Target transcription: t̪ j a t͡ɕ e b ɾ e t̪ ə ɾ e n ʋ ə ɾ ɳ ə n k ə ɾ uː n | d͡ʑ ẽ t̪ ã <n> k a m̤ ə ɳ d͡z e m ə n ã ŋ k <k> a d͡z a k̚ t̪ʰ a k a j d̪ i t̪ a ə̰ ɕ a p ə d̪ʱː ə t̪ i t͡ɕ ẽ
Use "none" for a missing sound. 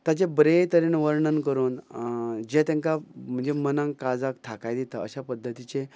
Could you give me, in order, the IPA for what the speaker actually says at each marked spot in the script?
ŋ, k

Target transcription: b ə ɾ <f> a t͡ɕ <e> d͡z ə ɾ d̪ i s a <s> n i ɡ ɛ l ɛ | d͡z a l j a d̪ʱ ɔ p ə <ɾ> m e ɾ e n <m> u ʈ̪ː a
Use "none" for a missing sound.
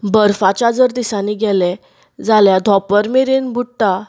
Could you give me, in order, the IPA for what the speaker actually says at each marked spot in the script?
f, a, none, ɾ, b

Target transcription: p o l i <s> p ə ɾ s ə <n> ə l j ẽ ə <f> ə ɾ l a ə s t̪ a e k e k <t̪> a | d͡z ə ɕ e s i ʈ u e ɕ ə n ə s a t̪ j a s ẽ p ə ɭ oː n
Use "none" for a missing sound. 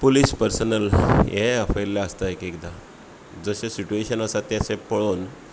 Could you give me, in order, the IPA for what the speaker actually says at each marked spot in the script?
s, n, f, d̪

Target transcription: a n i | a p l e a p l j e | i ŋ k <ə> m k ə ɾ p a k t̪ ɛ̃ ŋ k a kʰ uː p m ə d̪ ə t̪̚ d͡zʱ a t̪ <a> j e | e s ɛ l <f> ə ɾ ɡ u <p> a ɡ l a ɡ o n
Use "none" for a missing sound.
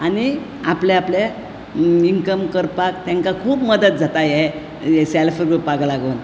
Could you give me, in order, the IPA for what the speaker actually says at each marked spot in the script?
ə, a, f, p

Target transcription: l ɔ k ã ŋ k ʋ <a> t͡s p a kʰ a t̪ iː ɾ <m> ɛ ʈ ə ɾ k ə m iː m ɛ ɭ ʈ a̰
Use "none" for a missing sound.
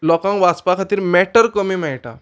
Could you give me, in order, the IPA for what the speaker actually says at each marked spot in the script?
a, m

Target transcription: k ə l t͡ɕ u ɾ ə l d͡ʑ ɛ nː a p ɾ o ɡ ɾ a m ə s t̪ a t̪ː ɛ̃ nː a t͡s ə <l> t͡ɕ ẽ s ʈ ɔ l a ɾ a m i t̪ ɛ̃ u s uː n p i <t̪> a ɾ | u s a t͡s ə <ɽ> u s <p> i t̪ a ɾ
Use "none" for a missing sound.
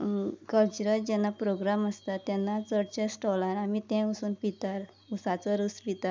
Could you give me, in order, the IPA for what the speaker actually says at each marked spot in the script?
ɽ, t̪, ɾ, p

